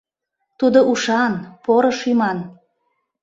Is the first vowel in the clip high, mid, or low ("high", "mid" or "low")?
high